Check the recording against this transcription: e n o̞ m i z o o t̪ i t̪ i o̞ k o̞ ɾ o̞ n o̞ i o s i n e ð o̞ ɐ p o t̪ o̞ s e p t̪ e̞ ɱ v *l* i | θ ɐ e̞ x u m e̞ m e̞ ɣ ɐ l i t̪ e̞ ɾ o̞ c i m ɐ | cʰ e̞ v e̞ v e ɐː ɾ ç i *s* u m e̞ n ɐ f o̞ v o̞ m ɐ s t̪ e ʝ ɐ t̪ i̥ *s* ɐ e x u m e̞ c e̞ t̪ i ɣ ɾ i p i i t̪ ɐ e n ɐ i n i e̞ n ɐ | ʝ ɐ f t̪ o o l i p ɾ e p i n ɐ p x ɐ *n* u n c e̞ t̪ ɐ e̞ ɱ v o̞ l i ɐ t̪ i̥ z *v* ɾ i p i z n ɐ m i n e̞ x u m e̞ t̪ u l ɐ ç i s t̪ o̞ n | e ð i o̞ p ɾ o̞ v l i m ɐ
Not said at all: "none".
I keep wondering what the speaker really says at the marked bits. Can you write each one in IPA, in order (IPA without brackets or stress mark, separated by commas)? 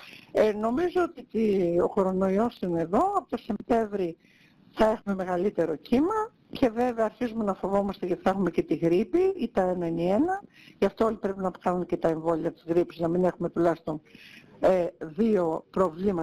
ɾ, z, θ, n, ɣ